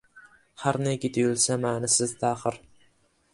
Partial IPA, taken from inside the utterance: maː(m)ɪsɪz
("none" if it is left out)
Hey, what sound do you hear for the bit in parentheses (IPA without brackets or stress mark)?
n